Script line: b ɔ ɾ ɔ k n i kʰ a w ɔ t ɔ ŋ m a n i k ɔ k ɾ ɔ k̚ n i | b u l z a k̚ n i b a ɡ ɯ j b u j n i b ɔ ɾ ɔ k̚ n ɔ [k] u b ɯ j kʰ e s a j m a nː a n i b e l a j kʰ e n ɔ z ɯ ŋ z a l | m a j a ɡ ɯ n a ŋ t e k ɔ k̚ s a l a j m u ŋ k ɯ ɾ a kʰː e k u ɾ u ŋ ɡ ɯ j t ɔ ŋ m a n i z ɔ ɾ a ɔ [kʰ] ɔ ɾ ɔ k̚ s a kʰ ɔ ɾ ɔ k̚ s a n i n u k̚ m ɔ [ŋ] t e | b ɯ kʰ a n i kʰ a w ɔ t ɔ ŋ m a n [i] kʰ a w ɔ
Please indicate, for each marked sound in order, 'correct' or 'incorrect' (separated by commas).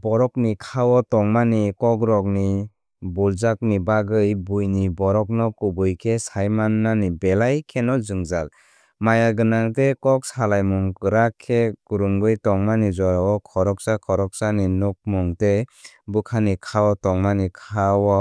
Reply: correct, correct, correct, correct